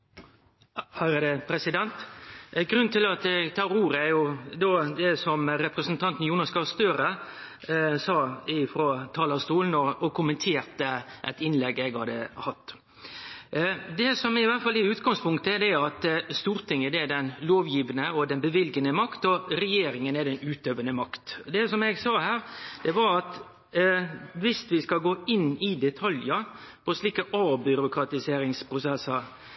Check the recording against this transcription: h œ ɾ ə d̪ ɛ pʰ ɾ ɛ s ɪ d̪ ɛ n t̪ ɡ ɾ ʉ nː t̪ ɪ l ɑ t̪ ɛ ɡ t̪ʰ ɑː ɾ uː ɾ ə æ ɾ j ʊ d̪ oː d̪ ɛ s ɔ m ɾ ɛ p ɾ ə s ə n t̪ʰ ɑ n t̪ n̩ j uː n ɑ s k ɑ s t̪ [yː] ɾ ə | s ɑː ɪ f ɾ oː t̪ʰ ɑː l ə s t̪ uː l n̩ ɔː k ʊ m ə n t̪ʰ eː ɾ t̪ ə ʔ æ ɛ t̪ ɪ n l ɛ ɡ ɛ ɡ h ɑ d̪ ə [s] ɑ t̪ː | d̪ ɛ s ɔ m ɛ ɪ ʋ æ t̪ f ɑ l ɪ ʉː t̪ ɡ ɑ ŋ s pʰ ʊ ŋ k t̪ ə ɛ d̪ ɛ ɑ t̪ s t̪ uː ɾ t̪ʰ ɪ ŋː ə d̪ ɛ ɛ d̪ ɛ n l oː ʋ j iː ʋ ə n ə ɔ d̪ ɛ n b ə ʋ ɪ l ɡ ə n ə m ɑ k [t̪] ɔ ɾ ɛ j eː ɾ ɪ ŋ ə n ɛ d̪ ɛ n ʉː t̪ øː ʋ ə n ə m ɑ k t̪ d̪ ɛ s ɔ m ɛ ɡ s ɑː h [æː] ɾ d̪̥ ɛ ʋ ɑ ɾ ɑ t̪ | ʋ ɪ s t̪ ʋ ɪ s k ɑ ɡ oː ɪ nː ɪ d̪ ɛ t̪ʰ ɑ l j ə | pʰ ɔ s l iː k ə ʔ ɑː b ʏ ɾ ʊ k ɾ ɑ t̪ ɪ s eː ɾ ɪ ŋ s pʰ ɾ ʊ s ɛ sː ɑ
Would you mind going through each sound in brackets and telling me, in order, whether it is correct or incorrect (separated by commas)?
incorrect, incorrect, correct, correct